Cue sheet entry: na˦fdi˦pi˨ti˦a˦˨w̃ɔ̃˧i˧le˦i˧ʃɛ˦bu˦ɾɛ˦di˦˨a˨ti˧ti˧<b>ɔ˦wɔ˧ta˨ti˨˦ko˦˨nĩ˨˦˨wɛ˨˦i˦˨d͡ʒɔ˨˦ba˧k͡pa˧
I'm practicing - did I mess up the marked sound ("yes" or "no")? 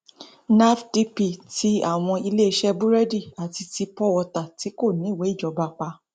yes